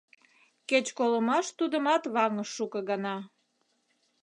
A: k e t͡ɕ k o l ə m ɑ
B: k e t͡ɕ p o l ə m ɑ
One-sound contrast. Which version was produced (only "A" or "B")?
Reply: A